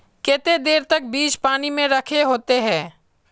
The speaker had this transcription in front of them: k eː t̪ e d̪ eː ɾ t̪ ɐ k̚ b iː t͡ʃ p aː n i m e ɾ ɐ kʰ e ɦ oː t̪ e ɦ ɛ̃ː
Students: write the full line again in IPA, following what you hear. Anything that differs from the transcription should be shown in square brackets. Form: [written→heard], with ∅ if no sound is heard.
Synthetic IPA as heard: k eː t̪ e d̪ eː ɾ t̪ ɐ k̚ b iː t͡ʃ p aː n i m [e→ẽ] ɾ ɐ kʰ e ɦ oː t̪ e ɦ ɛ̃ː